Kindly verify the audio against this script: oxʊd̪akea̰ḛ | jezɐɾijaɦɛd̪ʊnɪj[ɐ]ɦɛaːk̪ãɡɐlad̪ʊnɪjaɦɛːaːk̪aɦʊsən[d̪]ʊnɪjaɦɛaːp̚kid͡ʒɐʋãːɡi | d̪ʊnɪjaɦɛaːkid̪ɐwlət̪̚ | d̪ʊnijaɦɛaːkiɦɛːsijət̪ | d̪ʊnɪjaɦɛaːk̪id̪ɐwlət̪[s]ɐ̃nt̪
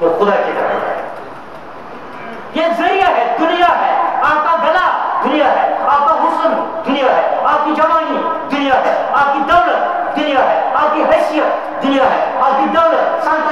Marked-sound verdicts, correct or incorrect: incorrect, correct, correct

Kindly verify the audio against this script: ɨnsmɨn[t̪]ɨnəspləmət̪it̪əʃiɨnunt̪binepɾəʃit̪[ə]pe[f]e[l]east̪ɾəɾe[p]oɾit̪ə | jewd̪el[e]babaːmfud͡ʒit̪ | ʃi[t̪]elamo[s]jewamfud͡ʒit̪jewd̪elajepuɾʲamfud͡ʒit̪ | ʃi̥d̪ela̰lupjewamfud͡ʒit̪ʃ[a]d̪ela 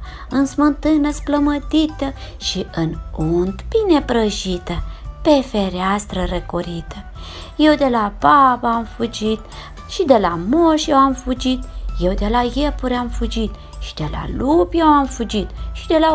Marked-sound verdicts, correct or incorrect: correct, correct, correct, incorrect, incorrect, incorrect, incorrect, incorrect, incorrect

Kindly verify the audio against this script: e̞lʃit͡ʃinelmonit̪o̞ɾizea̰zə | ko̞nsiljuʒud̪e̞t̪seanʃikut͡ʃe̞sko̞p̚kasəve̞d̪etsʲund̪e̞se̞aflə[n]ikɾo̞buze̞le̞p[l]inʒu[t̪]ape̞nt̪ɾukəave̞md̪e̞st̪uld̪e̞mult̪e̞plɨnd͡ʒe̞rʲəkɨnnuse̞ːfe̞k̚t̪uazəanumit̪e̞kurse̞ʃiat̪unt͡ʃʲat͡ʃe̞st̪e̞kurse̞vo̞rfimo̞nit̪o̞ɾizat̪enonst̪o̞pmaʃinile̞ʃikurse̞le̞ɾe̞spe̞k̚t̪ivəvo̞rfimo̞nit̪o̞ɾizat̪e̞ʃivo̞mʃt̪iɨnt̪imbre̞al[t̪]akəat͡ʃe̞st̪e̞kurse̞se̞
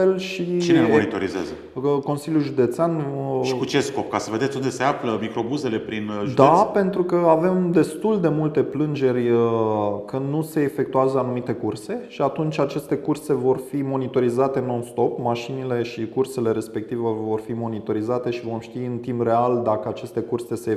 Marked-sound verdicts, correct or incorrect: incorrect, incorrect, incorrect, incorrect

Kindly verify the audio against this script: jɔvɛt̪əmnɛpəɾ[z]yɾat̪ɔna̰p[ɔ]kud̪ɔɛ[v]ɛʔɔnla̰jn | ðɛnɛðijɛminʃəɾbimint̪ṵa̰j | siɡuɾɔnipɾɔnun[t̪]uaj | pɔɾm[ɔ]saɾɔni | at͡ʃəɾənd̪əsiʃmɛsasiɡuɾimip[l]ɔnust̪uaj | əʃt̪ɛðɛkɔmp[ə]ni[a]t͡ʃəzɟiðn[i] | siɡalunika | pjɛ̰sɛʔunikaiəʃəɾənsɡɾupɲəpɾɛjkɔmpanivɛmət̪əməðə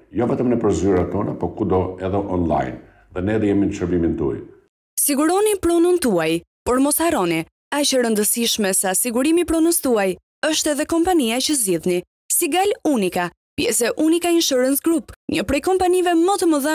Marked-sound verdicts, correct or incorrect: correct, correct, incorrect, correct, correct, incorrect, incorrect, correct, correct

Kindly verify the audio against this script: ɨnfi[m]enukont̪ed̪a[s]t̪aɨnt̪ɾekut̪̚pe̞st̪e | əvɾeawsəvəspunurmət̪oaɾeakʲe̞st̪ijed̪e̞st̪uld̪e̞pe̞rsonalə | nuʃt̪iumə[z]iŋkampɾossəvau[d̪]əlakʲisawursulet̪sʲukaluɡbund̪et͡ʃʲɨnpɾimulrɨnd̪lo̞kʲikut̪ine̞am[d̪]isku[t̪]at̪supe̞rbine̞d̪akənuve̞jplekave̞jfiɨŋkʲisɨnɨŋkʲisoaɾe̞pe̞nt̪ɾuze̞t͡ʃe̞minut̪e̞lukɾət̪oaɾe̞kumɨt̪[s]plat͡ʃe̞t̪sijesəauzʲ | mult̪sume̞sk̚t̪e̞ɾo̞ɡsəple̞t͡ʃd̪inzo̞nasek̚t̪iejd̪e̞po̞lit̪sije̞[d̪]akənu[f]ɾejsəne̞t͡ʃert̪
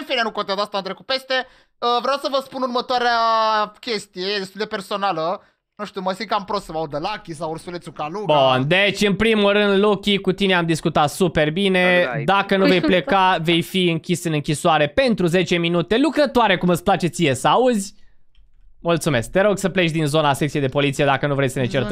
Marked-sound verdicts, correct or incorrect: incorrect, correct, incorrect, correct, correct, correct, correct, correct, incorrect

